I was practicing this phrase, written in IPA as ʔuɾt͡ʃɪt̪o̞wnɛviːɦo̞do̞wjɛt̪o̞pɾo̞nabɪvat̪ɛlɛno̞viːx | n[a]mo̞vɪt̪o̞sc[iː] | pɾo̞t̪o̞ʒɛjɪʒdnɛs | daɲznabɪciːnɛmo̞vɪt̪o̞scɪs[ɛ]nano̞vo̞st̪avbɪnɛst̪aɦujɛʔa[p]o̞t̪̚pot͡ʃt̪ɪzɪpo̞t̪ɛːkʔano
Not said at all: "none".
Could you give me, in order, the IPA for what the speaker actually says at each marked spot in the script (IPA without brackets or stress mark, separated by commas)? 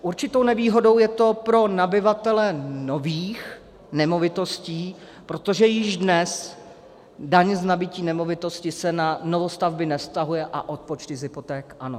ɛ, iː, ɛ, ʔ